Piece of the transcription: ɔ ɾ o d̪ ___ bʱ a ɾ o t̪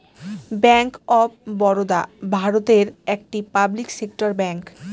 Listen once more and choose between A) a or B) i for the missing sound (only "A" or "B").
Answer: A